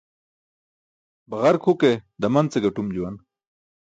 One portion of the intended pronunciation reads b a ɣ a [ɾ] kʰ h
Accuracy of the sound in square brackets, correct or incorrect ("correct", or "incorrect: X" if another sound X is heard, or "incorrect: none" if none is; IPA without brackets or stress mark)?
correct